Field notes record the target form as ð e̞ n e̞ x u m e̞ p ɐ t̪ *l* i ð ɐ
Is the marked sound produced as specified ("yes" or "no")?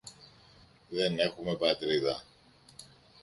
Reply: no